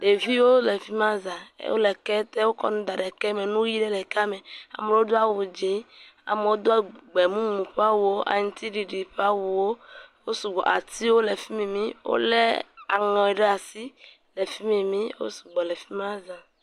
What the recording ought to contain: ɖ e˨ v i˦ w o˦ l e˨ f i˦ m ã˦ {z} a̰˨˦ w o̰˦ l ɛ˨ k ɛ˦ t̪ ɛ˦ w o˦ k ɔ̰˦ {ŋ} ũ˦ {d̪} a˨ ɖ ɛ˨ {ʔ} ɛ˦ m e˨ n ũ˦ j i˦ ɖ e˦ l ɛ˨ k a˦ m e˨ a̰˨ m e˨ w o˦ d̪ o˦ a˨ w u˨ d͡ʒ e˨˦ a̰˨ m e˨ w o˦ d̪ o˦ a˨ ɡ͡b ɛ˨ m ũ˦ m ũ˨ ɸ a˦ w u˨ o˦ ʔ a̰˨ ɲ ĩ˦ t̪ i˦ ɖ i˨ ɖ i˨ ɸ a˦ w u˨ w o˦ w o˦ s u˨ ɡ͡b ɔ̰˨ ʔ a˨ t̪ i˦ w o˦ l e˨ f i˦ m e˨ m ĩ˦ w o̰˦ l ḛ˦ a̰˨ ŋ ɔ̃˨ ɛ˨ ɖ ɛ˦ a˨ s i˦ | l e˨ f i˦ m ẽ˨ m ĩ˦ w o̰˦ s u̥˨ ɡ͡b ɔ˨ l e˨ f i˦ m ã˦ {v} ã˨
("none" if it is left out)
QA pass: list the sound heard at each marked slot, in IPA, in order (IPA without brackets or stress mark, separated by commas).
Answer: z, n, d̪, k, z